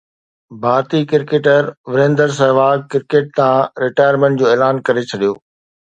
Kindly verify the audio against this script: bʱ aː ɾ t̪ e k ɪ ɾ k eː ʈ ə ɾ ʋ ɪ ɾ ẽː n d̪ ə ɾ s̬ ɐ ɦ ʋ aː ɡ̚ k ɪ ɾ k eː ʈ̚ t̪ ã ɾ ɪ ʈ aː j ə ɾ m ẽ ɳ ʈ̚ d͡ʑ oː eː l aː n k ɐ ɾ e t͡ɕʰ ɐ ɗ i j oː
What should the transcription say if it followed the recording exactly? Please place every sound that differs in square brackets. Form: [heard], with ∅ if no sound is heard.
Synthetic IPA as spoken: bʱ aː ɾ t̪ [i] k ɪ ɾ k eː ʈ ə ɾ ʋ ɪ ɾ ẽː n d̪ ə ɾ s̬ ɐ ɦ ʋ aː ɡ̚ k ɪ ɾ k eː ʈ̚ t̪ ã ɾ ɪ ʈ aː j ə ɾ m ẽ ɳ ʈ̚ d͡ʑ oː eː l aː n k ɐ ɾ e t͡ɕʰ ɐ ɗ i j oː